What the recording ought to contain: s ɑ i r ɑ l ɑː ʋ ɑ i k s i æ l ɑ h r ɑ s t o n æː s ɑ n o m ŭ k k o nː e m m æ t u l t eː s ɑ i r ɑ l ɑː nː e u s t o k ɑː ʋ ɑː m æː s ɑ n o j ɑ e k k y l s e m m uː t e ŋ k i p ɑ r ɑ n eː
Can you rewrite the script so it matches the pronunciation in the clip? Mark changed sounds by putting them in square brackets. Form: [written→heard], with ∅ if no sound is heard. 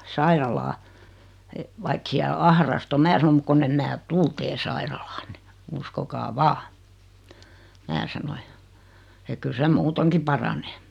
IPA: s ɑ i r ɑ l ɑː ʋ ɑ i k s i æ l ɑ h r ɑ s t o [n→m] æː s ɑ n o m ŭ k k o nː e m m [æ→æː] t u l t eː s ɑ i r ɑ l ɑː nː e u s [t→k] o k ɑː ʋ ɑː m æː s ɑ n o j ɑ e k k y l s e m m uː t e ŋ k i p ɑ r ɑ n eː